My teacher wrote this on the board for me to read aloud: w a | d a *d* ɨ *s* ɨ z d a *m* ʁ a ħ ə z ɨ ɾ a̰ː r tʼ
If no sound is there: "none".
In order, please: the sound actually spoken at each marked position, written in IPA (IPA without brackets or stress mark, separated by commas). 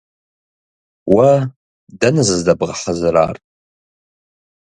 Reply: n, z, b